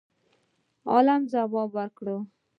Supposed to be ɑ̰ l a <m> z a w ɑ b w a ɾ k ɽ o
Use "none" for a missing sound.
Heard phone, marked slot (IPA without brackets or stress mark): m